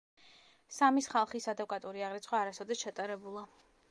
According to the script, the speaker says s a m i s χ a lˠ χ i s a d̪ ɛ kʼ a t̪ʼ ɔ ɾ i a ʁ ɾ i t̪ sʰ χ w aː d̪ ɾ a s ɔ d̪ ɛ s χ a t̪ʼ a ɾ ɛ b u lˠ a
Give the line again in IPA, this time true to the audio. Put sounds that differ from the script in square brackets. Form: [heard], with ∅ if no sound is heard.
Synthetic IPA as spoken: s a m i s χ a lˠ χ i s a d̪ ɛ kʼ a t̪ʼ [u] ɾ i a ʁ ɾ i t̪ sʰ χ w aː [∅] ɾ a s ɔ d̪ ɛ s [ʃ] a t̪ʼ a ɾ ɛ b u lˠ a

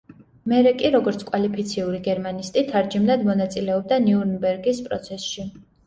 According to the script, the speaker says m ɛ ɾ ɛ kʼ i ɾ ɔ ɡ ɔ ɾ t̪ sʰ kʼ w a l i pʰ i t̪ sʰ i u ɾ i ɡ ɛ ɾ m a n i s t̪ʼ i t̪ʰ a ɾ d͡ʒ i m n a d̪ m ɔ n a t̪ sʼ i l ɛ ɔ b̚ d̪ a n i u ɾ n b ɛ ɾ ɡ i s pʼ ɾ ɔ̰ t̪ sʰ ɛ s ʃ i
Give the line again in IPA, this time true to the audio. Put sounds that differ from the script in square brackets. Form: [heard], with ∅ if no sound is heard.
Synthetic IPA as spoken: m ɛ ɾ ɛ kʼ i ɾ ɔ ɡ ɔ ɾ t̪ sʰ kʼ w a l i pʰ i t̪ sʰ i u ɾ i ɡ ɛ ɾ m a n i s t̪ʼ i t̪ʰ a ɾ d͡ʒ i m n a d̪ m ɔ n a t̪ sʼ i l ɛ ɔ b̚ d̪ a n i u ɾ n b ɛ ɾ ɡ i s pʼ ɾ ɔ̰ t̪ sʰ ɛ s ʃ i

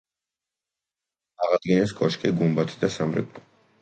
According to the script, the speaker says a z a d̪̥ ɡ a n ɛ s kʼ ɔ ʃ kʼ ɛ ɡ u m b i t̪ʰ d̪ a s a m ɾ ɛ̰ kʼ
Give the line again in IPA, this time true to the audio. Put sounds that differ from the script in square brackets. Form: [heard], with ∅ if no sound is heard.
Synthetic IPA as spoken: a [ʁ] a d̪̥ ɡ [i] n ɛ s kʼ ɔ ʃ kʼ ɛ ɡ u m b [a] t̪ʰ d̪ a s a m ɾ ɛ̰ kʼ

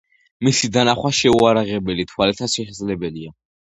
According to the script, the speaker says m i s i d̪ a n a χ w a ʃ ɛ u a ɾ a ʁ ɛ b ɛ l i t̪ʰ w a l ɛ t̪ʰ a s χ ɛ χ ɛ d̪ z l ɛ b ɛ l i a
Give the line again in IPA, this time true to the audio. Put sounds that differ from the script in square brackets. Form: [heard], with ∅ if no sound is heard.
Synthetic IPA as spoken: m i s i d̪ a n a χ w a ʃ ɛ u a ɾ a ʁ ɛ b ɛ l i t̪ʰ w a l ɛ t̪ʰ a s [ʃ] ɛ [ʃ] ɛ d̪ z l ɛ b ɛ l i a

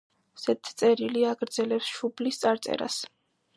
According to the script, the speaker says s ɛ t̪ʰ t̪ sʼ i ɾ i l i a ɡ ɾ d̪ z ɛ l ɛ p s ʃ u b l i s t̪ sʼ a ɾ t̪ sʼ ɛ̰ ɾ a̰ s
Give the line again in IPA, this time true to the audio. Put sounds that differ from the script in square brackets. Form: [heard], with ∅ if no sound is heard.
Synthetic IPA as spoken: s ɛ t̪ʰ t̪ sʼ [ɛ] ɾ i l i a ɡ ɾ d̪ z ɛ l ɛ p s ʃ u b l i s t̪ sʼ a ɾ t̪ sʼ ɛ̰ ɾ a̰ s

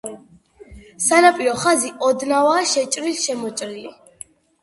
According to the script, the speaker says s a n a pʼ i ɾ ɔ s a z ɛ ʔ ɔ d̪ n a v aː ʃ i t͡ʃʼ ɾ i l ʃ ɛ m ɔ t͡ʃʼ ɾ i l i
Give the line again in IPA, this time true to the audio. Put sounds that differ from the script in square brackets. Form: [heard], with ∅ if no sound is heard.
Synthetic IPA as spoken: s a n a pʼ i ɾ ɔ [χ] a z [i] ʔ ɔ d̪ n a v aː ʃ [ɛ] t͡ʃʼ ɾ i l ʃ ɛ m ɔ t͡ʃʼ ɾ i l i

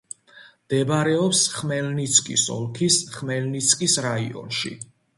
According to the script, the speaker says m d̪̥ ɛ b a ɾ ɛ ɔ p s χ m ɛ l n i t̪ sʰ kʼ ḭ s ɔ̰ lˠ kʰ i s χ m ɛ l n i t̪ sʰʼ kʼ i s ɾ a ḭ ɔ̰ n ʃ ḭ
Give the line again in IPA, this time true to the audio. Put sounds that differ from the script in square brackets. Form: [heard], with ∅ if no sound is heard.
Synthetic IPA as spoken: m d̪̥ ɛ b a ɾ ɛ ɔ p s χ m ɛ l n i t̪ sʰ kʼ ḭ s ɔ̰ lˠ kʰ i s χ m ɛ l n i t̪ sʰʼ kʼ i s ɾ a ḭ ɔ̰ n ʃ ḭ

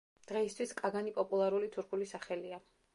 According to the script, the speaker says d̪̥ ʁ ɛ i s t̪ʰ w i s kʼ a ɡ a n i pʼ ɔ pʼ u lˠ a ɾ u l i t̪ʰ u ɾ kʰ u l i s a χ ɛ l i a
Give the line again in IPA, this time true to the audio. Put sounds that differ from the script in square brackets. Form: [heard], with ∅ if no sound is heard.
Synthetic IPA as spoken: d̪̥ ʁ ɛ i s t̪ʰ w i s kʼ a ɡ a n i pʼ ɔ pʼ u lˠ a ɾ u l i t̪ʰ u ɾ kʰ u l i s a χ ɛ l i a

